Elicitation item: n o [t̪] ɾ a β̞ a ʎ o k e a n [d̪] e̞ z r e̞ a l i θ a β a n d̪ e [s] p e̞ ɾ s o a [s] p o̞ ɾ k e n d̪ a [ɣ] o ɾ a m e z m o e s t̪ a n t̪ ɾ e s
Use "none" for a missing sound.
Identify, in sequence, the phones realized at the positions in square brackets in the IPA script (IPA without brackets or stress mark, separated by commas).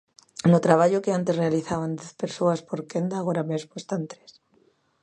t̪, t̪, θ, s, ɣ